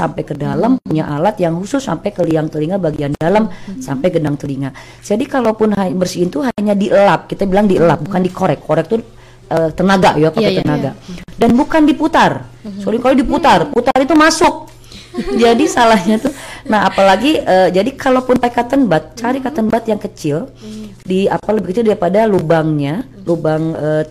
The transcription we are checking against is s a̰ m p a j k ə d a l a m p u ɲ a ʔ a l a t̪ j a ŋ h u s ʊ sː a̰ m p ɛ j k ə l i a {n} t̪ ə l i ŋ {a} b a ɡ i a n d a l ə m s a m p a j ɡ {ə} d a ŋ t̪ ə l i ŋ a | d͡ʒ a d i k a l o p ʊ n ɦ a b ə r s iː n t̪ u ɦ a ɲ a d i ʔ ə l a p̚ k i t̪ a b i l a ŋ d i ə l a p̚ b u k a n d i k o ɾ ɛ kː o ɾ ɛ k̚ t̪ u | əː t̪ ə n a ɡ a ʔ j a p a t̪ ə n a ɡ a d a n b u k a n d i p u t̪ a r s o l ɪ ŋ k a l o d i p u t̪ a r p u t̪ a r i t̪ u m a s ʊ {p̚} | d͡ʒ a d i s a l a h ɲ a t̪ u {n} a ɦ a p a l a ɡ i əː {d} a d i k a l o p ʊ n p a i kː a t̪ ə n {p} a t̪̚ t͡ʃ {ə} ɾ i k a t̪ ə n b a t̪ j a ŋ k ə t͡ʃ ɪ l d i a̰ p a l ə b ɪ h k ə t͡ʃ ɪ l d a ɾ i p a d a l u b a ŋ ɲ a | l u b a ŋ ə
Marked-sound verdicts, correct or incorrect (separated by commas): incorrect, correct, correct, incorrect, correct, incorrect, incorrect, incorrect